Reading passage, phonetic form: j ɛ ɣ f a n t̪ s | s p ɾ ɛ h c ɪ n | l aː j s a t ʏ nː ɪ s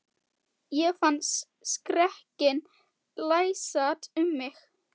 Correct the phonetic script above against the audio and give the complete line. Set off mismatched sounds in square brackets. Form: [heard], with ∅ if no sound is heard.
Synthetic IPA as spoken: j ɛ ɣ f a n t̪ s | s [k] ɾ ɛ h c ɪ n | l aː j s a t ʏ [mː] ɪ [x]